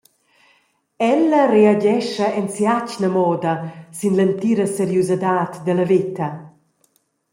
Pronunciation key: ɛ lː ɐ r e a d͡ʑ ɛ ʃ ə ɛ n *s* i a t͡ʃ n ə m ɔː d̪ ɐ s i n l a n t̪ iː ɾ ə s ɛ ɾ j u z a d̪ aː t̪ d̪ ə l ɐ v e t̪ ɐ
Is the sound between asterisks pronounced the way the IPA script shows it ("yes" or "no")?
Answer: yes